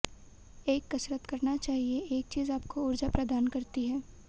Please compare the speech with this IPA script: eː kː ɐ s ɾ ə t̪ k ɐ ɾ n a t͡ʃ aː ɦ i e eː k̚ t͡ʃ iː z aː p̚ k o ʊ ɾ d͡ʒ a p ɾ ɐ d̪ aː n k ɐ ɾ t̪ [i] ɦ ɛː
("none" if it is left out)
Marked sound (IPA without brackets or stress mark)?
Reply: i